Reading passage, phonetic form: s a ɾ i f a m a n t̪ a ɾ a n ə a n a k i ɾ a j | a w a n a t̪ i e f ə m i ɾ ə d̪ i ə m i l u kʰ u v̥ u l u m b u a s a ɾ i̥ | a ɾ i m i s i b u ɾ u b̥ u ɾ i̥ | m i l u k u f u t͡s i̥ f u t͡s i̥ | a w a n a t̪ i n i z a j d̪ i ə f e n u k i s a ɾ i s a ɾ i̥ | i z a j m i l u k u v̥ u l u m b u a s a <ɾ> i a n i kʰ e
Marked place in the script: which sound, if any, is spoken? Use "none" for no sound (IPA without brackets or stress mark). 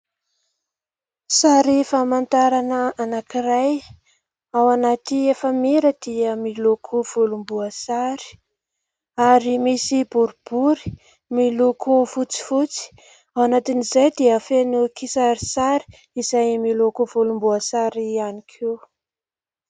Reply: ɾ